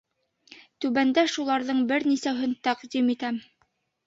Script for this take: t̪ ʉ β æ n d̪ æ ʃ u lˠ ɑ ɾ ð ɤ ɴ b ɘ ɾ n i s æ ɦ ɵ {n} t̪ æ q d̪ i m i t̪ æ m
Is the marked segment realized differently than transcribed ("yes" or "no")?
no